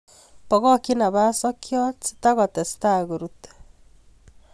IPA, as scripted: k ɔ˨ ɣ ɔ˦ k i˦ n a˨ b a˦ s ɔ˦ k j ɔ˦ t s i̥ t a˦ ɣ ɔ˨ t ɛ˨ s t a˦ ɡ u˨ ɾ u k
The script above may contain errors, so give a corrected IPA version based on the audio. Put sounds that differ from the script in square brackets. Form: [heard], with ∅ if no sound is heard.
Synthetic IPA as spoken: [p] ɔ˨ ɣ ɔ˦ k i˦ n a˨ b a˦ s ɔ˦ k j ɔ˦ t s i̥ t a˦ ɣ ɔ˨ t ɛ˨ s t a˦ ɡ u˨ ɾ u [t]